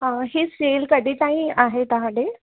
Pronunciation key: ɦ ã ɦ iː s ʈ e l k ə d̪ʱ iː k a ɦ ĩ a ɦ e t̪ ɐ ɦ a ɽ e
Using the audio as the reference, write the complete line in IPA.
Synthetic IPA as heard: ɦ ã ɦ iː s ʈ e l k ə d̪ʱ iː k a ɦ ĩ a ɦ e t̪ a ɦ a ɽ e